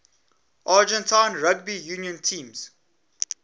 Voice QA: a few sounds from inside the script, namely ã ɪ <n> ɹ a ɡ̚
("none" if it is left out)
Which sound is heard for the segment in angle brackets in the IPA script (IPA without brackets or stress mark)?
n